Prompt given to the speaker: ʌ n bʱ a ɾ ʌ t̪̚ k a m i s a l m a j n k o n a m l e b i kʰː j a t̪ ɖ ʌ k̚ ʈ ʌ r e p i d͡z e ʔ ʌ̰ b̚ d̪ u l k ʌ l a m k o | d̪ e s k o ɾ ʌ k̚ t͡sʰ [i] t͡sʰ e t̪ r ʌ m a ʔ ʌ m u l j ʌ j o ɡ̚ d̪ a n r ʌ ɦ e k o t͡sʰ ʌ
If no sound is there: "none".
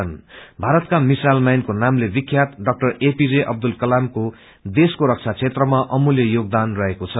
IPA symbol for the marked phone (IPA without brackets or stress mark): a